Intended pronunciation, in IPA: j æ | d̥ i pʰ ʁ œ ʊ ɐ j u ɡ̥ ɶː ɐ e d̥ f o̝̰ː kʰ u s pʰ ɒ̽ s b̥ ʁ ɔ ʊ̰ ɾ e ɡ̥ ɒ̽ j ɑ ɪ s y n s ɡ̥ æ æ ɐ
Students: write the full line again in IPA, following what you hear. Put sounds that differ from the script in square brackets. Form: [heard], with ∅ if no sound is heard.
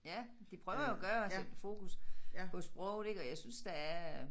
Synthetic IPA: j æ | d̥ i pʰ ʁ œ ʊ ɐ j [o] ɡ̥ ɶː ɐ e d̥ f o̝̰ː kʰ u s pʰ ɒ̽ s b̥ ʁ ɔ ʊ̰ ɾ e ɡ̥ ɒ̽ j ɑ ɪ s y n s [d̥] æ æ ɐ

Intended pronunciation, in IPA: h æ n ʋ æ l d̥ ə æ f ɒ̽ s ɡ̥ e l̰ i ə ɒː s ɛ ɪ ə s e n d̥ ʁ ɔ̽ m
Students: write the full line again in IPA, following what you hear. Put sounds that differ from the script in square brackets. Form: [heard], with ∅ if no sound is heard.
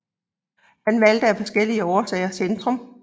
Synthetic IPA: h æ n ʋ æ l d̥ ə æ f ɒ̽ s ɡ̥ e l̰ i ə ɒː s ɛ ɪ [ɐ] s e n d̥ ʁ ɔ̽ m

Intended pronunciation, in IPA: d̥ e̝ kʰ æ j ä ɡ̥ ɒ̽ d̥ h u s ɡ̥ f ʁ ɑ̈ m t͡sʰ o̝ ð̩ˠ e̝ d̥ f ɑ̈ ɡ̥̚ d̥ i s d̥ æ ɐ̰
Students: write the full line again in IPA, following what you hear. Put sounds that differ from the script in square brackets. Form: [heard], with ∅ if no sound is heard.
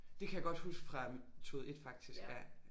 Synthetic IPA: d̥ e̝ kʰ æ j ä ɡ̥ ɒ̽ d̥ h u s ɡ̥ f ʁ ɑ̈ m t͡sʰ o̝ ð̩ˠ e̝ d̥ f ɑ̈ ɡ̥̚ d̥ i s [ɡ̥] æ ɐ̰

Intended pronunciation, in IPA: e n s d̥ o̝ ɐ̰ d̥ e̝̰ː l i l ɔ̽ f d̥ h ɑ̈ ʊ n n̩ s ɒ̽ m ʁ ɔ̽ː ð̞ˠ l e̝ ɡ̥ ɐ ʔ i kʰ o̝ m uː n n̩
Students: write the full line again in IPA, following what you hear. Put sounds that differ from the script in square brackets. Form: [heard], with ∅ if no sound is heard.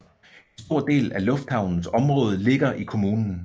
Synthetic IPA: e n s d̥ o̝ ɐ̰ d̥ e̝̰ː l [æ] l ɔ̽ f d̥ h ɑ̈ ʊ n n̩ s ɒ̽ m ʁ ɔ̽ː ð̞ˠ l e̝ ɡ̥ ɐ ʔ i kʰ o̝ m uː n n̩

